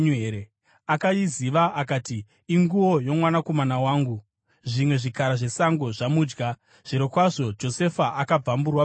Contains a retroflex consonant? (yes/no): yes